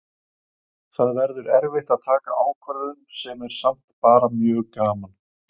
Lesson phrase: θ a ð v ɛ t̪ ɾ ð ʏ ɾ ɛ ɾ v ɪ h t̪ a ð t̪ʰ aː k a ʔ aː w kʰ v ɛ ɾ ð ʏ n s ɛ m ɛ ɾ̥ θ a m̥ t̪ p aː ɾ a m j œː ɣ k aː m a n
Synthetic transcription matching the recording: θ a ð v ɛ ɾ ð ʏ ɾ ɛ ɾ v ɪ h t̪ a ð t̪ʰ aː k a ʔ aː w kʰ v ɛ ɾ ð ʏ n s ɛ m ɛ ɾ̥ s a m̥ t̪ p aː ɾ a m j œː ɣ k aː m a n